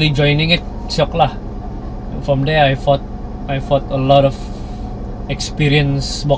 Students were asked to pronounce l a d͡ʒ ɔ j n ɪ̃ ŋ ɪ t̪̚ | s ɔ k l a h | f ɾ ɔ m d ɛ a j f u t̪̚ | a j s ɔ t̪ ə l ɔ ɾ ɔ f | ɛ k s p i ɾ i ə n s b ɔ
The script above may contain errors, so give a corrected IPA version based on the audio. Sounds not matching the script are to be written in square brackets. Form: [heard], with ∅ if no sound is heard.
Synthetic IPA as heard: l [i] d͡ʒ ɔ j n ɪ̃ ŋ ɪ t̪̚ | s ɔ k l a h | f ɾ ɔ m d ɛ a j f [ɔ] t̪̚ | a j [f] ɔ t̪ ə l ɔ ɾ ɔ f | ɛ k s p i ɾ i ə n s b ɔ